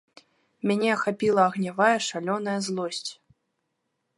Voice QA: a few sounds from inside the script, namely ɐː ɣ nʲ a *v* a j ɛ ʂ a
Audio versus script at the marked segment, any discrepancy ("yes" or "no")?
no